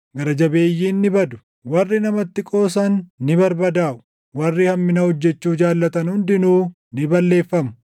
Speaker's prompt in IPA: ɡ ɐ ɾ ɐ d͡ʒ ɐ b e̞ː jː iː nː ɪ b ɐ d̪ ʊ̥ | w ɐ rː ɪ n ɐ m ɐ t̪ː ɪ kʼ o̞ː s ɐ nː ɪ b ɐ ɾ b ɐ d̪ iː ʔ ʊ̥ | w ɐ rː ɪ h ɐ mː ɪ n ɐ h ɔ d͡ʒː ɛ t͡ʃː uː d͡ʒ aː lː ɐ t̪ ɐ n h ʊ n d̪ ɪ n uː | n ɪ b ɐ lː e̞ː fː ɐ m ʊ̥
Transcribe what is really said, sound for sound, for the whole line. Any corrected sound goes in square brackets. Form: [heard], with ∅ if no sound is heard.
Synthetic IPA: ɡ ɐ ɾ ɐ d͡ʒ ɐ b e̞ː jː iː nː ɪ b ɐ d̪ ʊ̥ | w ɐ rː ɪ n ɐ m ɐ t̪ː ɪ kʼ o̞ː s ɐ nː ɪ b ɐ ɾ b ɐ d̪ [aː] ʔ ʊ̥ | w ɐ rː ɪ h ɐ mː ɪ n ɐ h ɔ d͡ʒː ɛ t͡ʃː uː d͡ʒ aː lː ɐ t̪ ɐ n h ʊ n d̪ ɪ n uː | n ɪ b ɐ lː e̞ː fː ɐ m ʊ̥